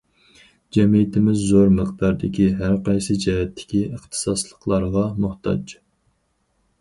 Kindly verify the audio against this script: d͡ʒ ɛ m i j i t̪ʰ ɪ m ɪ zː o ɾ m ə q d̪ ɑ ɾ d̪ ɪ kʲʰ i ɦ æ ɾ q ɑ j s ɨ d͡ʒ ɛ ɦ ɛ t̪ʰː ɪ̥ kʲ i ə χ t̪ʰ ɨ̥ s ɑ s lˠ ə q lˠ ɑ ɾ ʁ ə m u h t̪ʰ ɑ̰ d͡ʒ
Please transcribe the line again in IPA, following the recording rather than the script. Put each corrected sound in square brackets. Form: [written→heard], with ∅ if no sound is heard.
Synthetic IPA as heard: d͡ʒ ɛ m i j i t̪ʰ ɪ m ɪ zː o ɾ m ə q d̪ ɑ ɾ d̪ ɪ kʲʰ i ɦ æ ɾ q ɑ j s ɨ d͡ʒ ɛ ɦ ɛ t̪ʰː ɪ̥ kʲ i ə χ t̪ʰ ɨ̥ s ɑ s lˠ ə q lˠ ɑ ɾ ʁ [ə→ɑ] m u h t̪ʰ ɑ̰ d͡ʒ

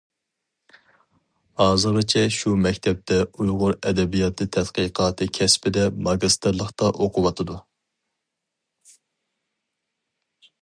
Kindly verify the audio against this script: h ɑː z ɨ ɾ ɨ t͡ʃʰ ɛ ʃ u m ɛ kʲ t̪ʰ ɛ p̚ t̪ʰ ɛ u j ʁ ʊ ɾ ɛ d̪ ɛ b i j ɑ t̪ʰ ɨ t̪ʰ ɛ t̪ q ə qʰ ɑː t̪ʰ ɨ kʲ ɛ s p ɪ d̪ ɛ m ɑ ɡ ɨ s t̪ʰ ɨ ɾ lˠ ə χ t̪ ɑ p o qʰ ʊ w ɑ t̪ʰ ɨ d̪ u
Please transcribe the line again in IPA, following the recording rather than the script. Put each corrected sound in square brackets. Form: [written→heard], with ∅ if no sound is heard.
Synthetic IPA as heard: h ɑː z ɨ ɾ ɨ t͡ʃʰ ɛ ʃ u m ɛ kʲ t̪ʰ ɛ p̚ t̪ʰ ɛ u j ʁ ʊ ɾ ɛ d̪ ɛ b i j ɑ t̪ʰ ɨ t̪ʰ ɛ t̪ q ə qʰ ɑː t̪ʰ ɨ [kʲ→kʲʰ] ɛ s p ɪ d̪ ɛ m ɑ ɡ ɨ s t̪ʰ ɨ ɾ lˠ ə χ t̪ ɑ [p→ʔ] o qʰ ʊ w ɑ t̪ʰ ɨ d̪ u

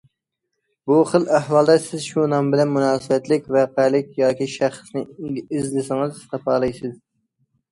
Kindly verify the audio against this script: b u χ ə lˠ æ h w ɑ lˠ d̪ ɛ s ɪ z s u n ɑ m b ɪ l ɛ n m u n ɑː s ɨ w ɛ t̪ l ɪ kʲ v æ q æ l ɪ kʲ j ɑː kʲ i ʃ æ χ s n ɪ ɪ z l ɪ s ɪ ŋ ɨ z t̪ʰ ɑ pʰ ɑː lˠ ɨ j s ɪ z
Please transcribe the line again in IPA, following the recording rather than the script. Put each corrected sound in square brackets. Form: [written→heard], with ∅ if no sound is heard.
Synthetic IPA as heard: b u χ ə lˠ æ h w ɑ lˠ d̪ ɛ s ɪ z [s→ʃ] u n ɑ m b ɪ l ɛ n m u n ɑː s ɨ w ɛ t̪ l ɪ kʲ v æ q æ l ɪ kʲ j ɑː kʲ i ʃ æ χ s n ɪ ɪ z l ɪ s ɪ ŋ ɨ z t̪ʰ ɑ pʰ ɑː lˠ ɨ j s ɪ z

